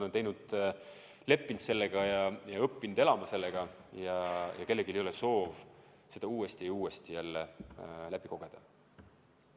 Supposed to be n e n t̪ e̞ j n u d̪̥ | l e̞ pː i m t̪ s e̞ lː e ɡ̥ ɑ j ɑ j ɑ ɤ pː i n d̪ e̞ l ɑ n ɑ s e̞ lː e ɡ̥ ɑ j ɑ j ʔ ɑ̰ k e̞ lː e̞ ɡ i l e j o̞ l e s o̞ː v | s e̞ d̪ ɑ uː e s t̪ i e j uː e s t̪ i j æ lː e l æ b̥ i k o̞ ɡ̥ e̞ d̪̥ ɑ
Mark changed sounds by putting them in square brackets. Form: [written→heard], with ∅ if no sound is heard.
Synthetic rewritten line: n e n t̪ e̞ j n u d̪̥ | l e̞ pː i [m→n] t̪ s e̞ lː e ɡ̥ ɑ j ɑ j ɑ ɤ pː i n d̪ e̞ l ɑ [n→m] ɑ s e̞ lː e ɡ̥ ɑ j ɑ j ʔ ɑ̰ k e̞ lː e̞ ɡ i l e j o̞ l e s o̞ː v | s e̞ d̪ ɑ uː e s t̪ i e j uː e s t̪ i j æ lː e l æ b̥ i k o̞ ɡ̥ e̞ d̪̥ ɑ